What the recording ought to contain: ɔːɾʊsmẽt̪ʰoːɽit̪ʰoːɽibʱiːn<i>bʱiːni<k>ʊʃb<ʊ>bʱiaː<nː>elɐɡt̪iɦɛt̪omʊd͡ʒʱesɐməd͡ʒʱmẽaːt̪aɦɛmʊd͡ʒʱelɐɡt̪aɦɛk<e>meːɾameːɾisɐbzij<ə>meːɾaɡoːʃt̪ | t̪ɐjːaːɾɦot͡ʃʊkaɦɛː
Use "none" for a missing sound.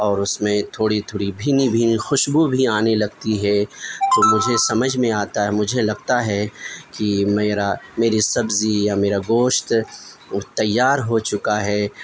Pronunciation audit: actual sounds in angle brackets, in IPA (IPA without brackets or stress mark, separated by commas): i, x, u, n, i, a